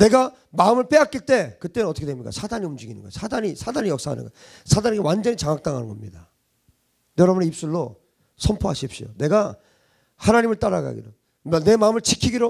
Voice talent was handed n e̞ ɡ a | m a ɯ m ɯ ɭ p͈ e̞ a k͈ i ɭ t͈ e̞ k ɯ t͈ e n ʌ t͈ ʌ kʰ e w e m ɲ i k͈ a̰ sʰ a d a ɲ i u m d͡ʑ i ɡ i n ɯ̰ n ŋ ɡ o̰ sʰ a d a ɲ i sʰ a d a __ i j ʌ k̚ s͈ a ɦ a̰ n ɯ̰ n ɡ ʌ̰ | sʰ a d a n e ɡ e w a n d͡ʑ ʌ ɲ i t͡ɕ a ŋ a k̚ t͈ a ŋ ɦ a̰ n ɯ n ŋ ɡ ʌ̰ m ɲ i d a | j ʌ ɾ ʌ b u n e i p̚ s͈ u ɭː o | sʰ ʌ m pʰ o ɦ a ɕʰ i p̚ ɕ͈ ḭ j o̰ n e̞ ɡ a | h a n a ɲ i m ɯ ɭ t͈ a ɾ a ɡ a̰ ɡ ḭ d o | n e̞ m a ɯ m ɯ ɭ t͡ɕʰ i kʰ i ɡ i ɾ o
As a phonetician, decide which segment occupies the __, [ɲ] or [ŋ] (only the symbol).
ɲ